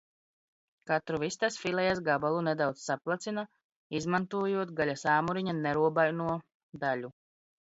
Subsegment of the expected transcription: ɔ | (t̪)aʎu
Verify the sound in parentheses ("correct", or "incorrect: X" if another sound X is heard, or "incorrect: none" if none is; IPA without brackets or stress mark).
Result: incorrect: d̪